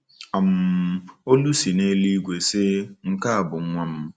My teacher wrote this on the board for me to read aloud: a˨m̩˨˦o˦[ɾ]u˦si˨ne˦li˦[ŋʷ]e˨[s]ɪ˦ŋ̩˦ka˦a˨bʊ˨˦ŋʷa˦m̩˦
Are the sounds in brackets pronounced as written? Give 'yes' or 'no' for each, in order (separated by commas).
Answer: no, no, yes